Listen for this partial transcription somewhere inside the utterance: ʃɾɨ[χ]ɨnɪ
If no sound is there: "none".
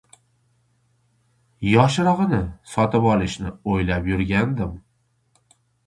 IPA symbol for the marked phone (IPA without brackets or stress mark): ʁ